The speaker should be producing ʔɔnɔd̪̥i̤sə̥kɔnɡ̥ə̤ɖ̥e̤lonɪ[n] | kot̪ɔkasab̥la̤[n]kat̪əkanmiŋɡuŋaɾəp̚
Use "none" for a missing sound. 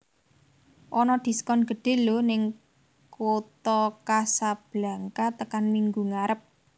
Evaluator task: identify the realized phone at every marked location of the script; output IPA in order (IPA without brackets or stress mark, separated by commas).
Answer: ŋ, ŋ